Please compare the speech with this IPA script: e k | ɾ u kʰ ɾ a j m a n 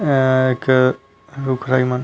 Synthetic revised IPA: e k | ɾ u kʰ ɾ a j m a n